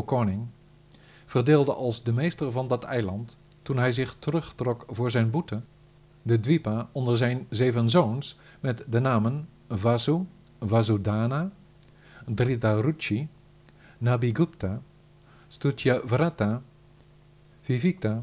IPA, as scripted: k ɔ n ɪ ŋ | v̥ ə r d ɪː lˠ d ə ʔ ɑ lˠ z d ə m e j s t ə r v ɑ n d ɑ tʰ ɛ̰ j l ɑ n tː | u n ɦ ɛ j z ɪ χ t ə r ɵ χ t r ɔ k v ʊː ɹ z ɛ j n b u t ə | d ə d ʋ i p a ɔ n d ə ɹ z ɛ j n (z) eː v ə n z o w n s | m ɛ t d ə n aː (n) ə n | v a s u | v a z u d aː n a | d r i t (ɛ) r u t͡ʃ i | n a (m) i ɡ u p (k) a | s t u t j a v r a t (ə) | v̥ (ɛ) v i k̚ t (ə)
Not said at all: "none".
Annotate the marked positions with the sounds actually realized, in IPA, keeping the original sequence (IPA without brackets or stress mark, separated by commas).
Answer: z, m, a, b, t, a, i, a